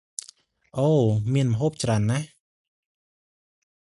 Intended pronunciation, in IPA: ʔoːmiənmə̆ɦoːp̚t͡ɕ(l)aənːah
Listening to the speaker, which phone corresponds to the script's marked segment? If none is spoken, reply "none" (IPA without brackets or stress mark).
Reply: r